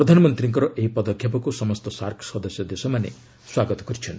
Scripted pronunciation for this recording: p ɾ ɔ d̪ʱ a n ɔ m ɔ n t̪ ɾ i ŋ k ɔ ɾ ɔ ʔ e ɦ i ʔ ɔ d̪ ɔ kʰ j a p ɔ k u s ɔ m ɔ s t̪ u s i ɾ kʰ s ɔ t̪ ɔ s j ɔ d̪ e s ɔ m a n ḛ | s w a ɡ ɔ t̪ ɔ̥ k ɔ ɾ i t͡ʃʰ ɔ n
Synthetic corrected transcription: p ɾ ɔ d̪ʱ a n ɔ m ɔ n t̪ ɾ i ŋ k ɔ ɾ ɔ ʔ e ɦ i p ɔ d̪ ɔ kʰ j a p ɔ k u s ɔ m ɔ s t̪ ɔ s a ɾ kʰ s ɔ d̪ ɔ s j ɔ d̪ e s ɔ m a n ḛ | s w a ɡ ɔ t̪ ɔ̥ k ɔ ɾ i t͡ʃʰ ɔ n